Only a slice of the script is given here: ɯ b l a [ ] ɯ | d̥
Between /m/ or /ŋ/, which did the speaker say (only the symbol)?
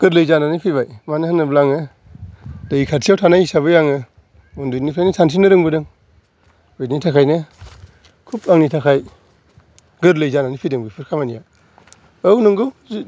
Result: ŋ